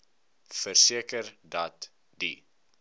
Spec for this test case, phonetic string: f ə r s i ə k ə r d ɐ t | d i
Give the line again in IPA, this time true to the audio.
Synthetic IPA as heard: f ə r s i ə k ə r d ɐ t | d i